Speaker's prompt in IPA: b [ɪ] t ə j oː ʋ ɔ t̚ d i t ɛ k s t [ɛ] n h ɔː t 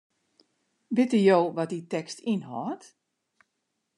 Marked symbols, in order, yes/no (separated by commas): yes, no